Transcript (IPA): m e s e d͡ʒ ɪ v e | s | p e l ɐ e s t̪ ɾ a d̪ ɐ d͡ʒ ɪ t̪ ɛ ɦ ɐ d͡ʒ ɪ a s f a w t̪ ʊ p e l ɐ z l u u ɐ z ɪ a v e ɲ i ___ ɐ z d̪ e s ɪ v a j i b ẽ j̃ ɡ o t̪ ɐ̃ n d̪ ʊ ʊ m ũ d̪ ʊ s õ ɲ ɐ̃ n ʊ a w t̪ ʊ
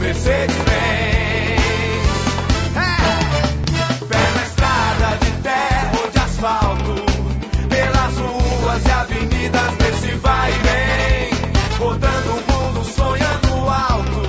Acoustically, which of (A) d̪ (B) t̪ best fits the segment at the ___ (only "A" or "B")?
A